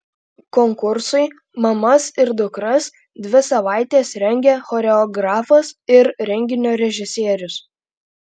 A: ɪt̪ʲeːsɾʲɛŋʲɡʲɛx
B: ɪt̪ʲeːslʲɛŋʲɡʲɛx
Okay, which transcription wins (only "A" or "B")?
A